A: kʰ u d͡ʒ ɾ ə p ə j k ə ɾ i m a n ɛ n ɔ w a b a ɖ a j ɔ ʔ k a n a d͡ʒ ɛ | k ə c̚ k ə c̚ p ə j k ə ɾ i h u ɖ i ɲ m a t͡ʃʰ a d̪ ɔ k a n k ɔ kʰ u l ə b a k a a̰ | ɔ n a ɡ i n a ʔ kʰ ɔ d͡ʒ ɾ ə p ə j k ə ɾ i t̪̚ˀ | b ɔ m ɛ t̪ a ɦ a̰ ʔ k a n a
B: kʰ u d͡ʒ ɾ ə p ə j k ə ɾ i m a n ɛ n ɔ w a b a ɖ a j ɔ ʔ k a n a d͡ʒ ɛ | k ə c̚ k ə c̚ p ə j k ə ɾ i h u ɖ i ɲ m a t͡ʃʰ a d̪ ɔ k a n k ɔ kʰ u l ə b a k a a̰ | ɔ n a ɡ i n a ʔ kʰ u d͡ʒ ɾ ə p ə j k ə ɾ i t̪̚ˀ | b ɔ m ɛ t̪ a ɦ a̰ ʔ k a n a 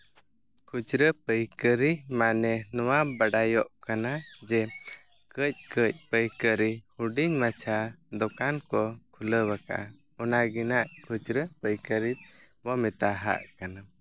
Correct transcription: B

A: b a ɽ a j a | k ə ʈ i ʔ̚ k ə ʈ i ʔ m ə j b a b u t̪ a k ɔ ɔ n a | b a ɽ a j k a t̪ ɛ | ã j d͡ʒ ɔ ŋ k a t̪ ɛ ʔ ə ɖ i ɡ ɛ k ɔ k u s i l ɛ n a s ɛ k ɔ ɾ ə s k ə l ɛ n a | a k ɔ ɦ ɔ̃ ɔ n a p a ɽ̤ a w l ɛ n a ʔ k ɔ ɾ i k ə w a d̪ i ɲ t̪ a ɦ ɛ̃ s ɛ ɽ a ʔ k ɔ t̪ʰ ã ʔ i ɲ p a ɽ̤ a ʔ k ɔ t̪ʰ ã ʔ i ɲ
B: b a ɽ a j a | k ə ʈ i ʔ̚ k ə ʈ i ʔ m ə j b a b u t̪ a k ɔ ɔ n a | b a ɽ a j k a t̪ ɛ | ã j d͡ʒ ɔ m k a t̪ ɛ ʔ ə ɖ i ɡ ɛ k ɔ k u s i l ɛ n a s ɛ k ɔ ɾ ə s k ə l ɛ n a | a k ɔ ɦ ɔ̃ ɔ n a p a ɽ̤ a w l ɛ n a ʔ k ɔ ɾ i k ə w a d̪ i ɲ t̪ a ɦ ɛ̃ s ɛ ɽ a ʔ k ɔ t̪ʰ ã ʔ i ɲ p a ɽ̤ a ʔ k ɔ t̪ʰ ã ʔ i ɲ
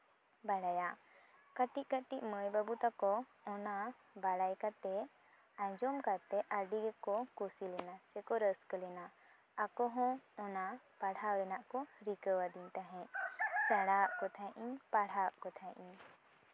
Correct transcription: B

